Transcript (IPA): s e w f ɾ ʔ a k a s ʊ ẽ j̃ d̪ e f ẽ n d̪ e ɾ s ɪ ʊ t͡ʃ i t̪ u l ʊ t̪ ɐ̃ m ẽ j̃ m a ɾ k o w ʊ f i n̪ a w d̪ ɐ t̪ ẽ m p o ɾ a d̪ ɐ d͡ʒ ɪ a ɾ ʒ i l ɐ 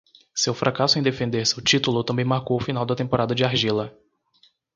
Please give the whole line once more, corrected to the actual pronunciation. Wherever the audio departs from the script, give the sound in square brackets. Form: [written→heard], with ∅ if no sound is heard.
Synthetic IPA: s e w f ɾ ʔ a k a s ʊ ẽ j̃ d̪ e f ẽ n d̪ e ɾ s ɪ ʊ t͡ʃ i t̪ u l ʊ t̪ ɐ̃ [m→b] ẽ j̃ m a ɾ k o w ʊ f i n̪ a w d̪ ɐ t̪ ẽ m p o ɾ a d̪ ɐ d͡ʒ ɪ a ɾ ʒ i l ɐ